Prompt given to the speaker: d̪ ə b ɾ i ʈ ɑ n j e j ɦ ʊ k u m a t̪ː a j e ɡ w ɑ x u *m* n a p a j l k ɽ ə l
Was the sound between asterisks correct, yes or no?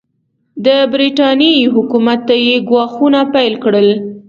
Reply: no